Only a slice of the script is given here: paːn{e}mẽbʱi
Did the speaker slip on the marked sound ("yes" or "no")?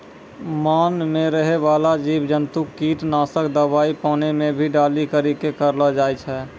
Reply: no